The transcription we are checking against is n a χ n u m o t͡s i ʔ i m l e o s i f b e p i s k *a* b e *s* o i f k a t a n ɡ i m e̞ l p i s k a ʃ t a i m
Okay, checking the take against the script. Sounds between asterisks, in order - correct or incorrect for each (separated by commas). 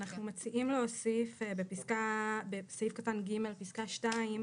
correct, correct